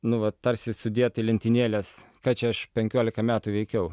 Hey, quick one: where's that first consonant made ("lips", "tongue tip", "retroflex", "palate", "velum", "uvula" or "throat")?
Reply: tongue tip